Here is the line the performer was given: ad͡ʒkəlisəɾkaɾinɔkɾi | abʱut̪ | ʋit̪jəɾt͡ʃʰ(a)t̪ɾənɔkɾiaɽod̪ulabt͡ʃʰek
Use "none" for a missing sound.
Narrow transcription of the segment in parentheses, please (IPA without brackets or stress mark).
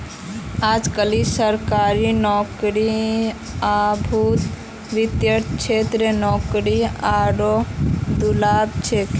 e